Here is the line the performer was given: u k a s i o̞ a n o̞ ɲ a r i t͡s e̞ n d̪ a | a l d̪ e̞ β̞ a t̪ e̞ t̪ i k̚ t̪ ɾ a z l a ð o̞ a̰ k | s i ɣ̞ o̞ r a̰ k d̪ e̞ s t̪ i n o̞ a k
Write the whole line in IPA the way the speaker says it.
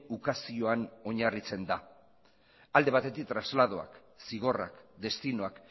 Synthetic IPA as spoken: u k a s i o̞ a n o̞ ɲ a r i t͡s e̞ n d̪ a | a l d̪ e̞ β̞ a t̪ e̞ t̪ i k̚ t̪ ɾ a z l a ð o̞ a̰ k | s i ɣ̞ o̞ r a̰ k d̪ e̞ s t̪ i n o̞ a k